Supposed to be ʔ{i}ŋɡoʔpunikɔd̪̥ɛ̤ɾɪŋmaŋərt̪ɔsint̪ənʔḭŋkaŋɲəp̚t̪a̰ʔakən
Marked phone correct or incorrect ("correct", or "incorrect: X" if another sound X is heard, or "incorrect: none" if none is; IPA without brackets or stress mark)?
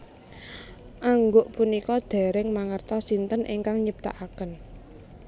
incorrect: a